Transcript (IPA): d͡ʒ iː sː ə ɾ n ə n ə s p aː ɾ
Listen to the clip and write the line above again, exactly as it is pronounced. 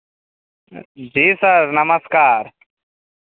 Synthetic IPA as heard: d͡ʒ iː s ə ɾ n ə m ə s k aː ɾ